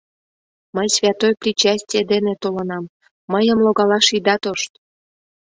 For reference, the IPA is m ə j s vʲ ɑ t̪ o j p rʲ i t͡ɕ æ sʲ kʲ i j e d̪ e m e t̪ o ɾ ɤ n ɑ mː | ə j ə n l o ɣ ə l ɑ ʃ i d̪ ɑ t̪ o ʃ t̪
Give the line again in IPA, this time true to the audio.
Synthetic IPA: m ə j s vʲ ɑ t̪ o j p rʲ i t͡ɕ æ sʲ tʲ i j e d̪ e n e t̪ o l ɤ n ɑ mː | ə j ə m l o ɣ ɑ l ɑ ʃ i d̪ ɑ t̪ o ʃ t̪